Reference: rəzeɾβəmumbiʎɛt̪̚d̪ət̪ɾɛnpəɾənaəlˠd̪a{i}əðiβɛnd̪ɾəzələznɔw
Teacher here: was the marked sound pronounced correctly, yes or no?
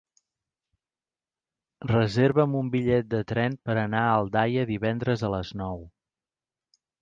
no